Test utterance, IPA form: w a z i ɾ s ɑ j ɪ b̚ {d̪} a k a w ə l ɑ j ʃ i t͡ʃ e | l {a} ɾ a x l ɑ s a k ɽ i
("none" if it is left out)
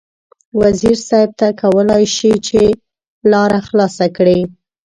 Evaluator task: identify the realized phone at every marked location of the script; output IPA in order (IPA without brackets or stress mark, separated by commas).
t̪, ɑ